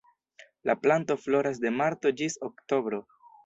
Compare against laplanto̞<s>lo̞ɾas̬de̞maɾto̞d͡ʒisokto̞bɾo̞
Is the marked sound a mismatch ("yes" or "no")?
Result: yes